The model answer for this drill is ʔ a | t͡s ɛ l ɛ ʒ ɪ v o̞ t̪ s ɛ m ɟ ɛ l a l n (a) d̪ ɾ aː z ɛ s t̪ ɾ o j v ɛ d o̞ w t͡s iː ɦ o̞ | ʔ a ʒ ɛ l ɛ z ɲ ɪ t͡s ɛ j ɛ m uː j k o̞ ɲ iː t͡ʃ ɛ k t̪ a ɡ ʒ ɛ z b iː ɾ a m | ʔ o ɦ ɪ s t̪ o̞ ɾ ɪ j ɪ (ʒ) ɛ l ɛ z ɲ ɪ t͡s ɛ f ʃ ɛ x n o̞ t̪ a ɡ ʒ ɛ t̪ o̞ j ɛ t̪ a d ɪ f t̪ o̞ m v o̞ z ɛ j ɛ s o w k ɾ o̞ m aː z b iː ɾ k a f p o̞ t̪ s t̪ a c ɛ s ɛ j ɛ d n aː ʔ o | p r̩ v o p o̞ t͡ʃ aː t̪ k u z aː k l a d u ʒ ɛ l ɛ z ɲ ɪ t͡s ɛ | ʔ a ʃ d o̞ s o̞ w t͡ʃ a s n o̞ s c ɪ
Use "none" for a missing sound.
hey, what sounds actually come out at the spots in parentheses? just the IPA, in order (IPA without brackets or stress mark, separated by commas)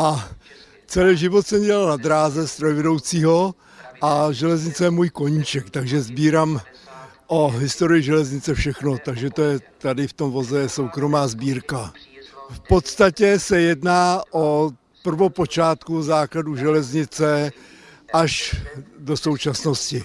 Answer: a, ʒ